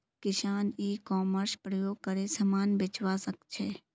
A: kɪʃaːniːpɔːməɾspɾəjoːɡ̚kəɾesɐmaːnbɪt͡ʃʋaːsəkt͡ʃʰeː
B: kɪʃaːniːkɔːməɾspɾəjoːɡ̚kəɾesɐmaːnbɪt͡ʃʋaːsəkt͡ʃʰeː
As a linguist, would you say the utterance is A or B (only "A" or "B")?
B